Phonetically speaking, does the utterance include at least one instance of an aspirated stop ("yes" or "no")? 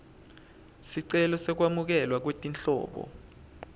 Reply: no